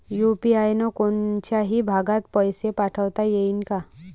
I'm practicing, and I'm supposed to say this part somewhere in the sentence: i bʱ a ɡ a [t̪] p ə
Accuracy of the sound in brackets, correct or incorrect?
correct